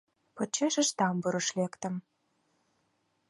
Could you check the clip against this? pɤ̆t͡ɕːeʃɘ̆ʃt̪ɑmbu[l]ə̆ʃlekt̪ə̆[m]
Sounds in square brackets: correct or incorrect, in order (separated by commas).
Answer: incorrect, correct